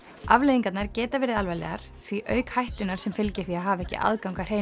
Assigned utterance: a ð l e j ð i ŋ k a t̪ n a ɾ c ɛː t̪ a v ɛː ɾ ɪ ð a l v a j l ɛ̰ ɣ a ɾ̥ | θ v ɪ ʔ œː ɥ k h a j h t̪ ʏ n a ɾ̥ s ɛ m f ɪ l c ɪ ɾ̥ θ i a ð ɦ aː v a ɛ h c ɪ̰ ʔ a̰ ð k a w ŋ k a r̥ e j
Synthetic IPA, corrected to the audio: a v l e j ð i ŋ k a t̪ n a ɾ c ɛː t̪ a v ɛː ɾ ɪ ð a l v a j l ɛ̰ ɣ a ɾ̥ | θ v i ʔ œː ɥ k h a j h t̪ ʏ n a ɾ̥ s ɛ m f ɪ l c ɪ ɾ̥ θ i a ð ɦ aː v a ɛ h c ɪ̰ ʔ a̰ ð k a w ŋ k a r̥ e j